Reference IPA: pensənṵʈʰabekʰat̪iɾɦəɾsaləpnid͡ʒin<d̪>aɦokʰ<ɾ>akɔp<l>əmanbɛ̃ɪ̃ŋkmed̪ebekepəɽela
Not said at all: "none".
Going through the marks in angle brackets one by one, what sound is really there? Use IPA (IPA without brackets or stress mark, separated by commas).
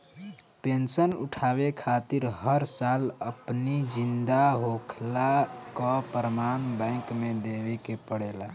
d̪, l, ɾ